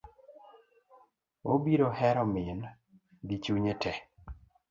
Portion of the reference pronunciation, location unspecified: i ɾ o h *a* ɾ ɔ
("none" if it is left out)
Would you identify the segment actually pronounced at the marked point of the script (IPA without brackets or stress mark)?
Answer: ɛ